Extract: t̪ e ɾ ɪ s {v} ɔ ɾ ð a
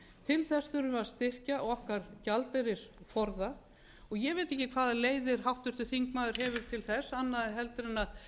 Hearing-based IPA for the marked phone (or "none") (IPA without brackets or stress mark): f